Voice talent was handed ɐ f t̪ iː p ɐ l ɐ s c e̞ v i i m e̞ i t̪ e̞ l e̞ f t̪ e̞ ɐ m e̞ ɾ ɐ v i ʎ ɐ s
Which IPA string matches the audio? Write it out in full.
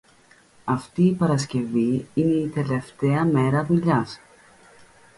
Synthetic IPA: ɐ f t̪ iː p ɐ ɾ ɐ s c e̞ v i i n e̞ i t̪ e̞ l e̞ f t̪ e̞ ɐ m e̞ ɾ ɐ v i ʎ ɐ s